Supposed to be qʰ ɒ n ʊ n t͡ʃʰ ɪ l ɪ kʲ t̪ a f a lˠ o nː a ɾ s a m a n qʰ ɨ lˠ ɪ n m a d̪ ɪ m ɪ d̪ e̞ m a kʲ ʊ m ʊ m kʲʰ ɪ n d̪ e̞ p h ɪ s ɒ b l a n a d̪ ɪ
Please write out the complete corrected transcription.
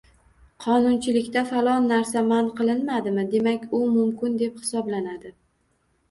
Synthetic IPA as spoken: qʰ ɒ n ʊ n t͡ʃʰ ɪ l ɪ kʲ t̪ a f a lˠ ɒ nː a ɾ s a m a n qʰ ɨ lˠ ɪ n m a d̪ ɪ m ɪ d̪ e̞ m a kʲ ʊ m ʊ m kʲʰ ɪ n d̪ e̞ p h ɪ s ɒ b l a n a d̪ ɪ